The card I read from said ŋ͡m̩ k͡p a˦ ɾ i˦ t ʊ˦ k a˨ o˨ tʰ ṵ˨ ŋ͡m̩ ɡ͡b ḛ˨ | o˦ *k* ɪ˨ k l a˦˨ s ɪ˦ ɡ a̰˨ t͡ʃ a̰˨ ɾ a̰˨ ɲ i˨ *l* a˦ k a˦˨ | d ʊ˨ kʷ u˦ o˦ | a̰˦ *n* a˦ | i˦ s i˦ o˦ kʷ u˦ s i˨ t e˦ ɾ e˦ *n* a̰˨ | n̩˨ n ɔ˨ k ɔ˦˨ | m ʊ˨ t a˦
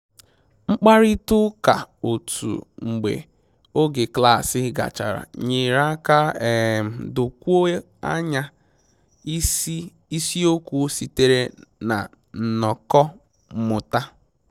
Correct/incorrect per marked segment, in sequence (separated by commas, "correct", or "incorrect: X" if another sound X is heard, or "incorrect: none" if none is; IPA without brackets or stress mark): incorrect: ɡ, incorrect: ɾ, incorrect: ɲ, correct